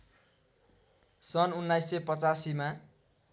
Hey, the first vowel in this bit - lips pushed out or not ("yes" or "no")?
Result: no